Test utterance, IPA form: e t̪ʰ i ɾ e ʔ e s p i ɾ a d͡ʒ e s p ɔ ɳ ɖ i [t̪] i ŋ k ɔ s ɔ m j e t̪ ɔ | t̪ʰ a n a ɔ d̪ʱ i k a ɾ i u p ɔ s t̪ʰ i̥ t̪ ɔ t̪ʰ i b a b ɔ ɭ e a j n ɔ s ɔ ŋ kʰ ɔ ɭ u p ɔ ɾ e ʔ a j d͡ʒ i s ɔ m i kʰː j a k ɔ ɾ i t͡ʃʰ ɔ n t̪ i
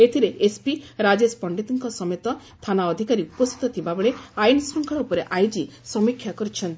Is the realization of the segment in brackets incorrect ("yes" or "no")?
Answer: no